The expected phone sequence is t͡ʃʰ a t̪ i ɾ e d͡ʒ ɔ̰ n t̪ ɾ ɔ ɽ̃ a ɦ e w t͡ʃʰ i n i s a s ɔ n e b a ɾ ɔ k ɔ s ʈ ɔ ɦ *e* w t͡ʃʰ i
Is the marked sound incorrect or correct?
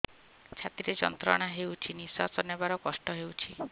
correct